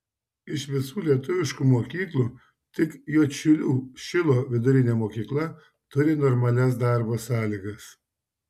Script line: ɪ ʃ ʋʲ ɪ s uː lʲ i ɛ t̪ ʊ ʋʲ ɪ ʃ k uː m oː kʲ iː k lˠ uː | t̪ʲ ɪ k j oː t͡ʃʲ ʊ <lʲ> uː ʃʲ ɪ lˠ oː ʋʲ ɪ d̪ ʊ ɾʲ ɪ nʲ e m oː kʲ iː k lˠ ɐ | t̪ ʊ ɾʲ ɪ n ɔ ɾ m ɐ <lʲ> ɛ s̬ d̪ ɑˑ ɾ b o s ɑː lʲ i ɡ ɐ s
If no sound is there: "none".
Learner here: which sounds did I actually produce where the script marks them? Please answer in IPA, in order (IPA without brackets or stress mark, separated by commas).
lʲ, lʲ